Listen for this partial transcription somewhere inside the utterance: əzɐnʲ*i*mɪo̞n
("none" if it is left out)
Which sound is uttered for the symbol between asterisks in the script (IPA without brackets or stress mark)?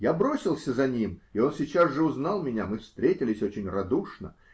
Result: i